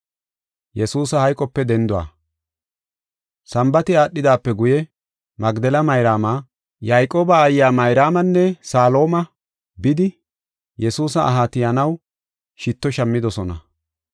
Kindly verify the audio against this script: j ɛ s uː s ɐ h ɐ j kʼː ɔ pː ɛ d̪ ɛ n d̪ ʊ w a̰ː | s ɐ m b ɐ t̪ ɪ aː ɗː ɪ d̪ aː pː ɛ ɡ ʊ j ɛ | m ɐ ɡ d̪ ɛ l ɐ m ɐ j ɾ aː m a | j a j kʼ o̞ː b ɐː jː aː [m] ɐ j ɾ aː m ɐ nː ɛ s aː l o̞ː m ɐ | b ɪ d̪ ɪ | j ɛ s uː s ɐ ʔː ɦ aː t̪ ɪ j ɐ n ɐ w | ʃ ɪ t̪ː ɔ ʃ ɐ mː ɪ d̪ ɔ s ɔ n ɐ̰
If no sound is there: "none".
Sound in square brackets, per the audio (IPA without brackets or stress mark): m